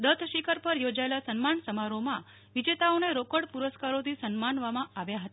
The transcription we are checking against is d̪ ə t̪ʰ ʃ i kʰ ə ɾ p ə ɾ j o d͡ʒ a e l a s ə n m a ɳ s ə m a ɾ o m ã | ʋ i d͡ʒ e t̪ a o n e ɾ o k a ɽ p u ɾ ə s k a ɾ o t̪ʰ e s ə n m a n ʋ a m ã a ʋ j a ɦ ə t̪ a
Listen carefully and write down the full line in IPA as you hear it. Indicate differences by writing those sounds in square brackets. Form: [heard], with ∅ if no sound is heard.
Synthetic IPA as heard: d̪ ə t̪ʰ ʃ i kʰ ə ɾ p ə ɾ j o d͡ʒ a e l a s ə n m a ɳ s ə m a ɾ o m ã | ʋ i d͡ʒ e t̪ a o n e ɾ o k [ə] ɽ p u ɾ ə s k a ɾ o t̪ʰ [i] s ə n m a n ʋ a m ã a ʋ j a ɦ ə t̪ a